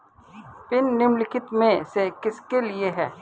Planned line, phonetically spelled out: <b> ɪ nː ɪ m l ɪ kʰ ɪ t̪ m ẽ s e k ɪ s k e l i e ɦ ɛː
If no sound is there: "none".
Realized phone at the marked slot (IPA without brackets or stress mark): p